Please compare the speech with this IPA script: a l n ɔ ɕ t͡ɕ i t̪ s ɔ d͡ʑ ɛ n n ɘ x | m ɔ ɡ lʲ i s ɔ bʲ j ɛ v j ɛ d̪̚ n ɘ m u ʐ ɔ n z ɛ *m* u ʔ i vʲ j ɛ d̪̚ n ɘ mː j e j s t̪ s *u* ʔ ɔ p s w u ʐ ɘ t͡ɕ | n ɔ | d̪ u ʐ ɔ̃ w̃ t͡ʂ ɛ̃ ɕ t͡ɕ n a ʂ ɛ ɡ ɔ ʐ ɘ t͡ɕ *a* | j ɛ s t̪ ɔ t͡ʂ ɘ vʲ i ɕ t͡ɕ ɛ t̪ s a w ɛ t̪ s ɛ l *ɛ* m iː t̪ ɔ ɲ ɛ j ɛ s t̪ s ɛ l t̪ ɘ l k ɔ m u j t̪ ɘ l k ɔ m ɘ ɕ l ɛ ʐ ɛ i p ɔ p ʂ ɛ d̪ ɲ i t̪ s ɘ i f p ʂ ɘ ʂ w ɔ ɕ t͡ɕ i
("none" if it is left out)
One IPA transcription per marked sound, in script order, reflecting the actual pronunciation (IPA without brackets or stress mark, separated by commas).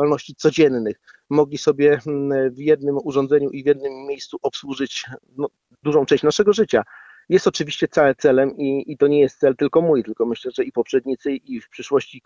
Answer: ɲ, u, a, ɛ